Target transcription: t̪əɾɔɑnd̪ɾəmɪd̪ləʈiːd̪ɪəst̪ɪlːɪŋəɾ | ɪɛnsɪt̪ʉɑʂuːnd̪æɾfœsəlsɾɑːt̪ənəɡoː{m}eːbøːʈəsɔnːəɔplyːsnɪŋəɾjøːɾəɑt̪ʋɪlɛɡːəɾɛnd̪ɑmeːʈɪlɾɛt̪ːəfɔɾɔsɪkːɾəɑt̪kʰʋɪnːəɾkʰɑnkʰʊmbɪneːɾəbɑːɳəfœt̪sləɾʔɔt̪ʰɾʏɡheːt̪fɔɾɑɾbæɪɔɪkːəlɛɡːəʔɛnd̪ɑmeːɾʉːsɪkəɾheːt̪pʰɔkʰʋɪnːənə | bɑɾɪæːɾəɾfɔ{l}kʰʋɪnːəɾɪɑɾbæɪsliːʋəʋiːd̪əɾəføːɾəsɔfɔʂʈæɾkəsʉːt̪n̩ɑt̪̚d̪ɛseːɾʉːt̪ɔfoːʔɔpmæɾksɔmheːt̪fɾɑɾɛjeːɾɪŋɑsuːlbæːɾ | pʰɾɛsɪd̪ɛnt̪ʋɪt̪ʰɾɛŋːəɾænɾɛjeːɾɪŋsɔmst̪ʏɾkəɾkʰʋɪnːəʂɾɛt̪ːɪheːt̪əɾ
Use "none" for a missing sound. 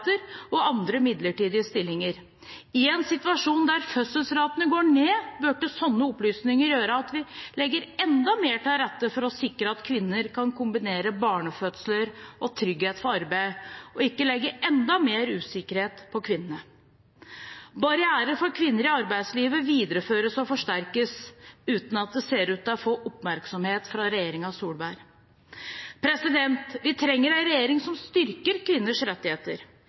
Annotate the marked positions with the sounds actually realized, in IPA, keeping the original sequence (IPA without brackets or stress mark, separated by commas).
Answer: ɳ, ɾ